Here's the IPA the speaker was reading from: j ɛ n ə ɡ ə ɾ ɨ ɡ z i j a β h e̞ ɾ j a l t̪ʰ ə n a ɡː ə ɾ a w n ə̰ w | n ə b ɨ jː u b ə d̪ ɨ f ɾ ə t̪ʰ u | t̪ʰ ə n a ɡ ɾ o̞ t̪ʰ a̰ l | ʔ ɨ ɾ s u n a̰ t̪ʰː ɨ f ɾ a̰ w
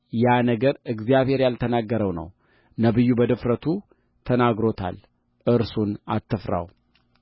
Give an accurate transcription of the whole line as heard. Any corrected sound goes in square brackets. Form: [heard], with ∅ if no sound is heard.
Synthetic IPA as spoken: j [a] n ə ɡ ə ɾ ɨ ɡ z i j a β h e̞ ɾ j a l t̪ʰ ə n a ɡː ə ɾ [ə] w n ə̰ w | n ə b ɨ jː u b ə d̪ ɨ f ɾ ə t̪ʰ u | t̪ʰ ə n a ɡ ɾ o̞ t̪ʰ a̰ l | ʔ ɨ ɾ s u n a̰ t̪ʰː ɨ f ɾ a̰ w